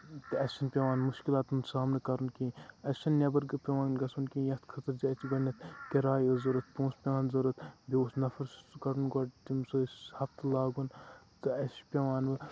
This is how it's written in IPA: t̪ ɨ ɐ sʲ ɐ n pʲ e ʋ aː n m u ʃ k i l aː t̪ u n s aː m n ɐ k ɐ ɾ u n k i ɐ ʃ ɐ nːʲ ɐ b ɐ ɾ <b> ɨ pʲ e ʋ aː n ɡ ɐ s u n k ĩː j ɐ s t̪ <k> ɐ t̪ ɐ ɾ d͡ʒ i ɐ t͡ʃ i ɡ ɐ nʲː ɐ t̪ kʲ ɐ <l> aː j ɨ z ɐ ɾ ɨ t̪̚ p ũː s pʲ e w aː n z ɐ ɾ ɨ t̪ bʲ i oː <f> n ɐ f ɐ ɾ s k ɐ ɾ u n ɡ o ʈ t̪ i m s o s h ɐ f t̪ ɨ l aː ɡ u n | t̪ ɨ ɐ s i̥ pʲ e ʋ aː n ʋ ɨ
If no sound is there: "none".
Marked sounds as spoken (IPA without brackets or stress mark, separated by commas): ɡ, kʰ, ɾ, s